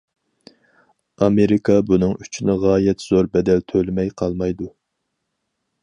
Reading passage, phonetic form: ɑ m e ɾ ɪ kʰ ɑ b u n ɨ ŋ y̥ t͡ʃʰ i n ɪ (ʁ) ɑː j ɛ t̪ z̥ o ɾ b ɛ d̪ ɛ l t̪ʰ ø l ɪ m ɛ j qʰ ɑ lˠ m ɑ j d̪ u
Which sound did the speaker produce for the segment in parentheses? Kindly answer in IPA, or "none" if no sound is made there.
ʁ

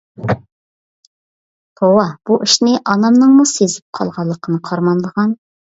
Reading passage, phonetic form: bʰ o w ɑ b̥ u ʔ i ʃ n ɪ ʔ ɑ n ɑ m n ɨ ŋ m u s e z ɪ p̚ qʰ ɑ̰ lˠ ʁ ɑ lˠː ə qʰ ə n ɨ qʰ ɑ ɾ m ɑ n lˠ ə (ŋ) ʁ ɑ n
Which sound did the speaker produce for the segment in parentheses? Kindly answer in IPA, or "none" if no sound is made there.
none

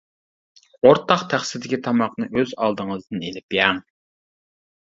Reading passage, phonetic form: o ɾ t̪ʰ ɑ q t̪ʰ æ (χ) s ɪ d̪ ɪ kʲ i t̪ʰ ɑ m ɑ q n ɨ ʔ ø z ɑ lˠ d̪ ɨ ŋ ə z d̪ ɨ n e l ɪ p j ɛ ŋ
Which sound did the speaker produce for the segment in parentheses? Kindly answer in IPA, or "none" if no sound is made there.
χ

